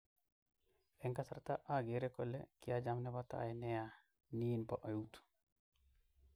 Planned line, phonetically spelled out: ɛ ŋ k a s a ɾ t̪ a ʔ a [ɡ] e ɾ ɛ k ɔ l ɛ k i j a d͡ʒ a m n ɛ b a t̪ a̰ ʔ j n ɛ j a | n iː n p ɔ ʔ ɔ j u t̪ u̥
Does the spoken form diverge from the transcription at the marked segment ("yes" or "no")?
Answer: no